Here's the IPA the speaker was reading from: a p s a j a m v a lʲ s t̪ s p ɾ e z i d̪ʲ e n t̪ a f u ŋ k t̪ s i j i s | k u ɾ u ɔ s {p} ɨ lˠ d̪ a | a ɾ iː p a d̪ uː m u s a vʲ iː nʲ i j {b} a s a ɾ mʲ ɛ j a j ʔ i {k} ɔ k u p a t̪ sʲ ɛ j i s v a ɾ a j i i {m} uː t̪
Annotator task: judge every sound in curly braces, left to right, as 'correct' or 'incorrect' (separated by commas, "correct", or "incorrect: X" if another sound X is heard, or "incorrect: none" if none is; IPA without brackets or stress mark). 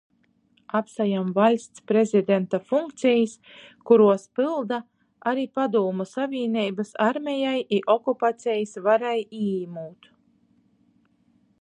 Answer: correct, correct, incorrect: ʔ, correct